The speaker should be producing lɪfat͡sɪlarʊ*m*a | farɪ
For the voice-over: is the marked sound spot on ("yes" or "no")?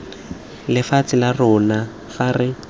no